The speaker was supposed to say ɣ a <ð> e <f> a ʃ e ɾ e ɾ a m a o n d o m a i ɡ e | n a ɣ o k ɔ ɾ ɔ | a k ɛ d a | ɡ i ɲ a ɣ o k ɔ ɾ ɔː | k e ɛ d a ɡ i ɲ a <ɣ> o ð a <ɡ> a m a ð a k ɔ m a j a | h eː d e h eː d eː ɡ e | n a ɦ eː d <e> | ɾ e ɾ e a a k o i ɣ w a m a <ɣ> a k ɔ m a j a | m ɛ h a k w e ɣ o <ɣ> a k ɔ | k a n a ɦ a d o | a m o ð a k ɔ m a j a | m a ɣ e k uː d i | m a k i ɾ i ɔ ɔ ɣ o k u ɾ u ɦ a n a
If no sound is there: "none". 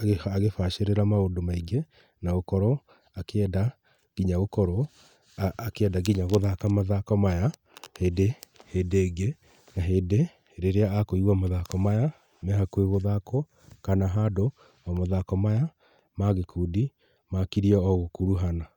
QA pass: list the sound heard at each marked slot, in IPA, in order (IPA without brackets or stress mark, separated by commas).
ɣ, f, ɣ, k, e, ð, ð